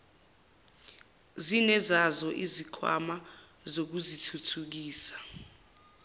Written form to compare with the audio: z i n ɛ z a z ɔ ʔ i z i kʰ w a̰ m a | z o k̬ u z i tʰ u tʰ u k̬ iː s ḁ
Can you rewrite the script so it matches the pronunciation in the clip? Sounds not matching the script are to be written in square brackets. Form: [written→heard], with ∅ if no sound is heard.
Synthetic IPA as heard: z i n ɛ z a z ɔ ʔ i z i kʰ w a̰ m a | z o k̬ u z i tʰ u tʰ u k̬ iː s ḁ

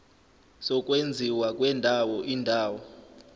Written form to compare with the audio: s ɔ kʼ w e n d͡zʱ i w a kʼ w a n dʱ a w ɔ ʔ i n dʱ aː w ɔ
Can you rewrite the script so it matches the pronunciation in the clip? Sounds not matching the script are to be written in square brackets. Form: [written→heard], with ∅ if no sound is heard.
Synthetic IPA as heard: s ɔ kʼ w e n d͡zʱ i w a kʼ w [a→ɛ] n dʱ a w ɔ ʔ i n dʱ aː w ɔ

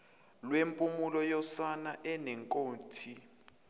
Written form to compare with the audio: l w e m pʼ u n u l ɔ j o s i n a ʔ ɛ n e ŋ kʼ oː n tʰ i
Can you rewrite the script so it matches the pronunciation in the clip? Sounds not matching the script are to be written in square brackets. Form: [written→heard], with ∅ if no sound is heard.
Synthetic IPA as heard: l w e m pʼ u [n→m] u l ɔ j [o→ɔ] s [i→a] n a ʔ ɛ n [e→ɛ] ŋ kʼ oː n tʰ i

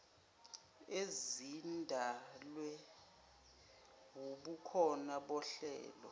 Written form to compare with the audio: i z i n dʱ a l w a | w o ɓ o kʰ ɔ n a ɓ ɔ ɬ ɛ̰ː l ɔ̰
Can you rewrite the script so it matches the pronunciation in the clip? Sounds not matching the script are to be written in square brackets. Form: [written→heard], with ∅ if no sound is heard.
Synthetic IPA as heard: [i→e] z i n dʱ a l w [a→ɛ] | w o ɓ [o→u] kʰ ɔ n a ɓ ɔ ɬ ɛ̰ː l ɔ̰

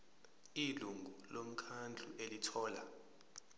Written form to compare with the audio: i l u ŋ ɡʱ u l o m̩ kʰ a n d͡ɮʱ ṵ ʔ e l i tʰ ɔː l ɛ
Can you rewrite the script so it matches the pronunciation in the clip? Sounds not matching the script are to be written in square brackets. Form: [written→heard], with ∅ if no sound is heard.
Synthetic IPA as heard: i l u ŋ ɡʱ u l o m̩ kʰ a n d͡ɮʱ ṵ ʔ e l i tʰ ɔː l [ɛ→a]

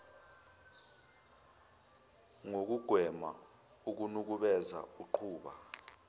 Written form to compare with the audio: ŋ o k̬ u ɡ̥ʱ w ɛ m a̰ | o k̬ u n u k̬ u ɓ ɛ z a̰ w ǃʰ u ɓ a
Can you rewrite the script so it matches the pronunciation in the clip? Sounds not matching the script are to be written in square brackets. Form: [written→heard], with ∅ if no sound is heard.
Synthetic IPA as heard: ŋ o k̬ u ɡ̥ʱ w ɛ m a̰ | [o→u] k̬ u n u k̬ u ɓ ɛ z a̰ [w→u] ǃʰ [u→uː] ɓ a

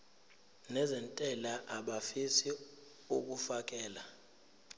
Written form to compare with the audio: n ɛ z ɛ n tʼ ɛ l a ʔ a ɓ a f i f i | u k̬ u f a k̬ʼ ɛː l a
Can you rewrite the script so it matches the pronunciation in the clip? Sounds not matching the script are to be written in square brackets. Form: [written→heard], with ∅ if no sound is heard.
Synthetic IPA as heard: n ɛ z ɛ n tʼ ɛ l a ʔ a ɓ a f i [f→s] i | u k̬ u f a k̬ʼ ɛː l a

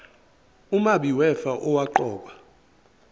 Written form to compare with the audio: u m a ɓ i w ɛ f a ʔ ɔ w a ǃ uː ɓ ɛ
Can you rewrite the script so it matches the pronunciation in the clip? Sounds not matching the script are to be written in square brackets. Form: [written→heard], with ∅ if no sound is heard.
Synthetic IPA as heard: u m a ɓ i w ɛ f a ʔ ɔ w a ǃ [uː→ɔː] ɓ [ɛ→a]

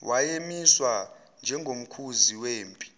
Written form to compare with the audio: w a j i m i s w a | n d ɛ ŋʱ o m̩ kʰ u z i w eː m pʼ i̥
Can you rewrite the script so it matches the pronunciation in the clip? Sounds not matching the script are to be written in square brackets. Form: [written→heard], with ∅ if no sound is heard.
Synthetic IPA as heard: w a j [i→e] m i s w a | n [d→d͡ʒʱ] ɛ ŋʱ o m̩ kʰ u z i w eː m pʼ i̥

